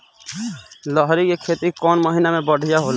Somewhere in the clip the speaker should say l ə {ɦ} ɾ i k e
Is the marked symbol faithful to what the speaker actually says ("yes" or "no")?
yes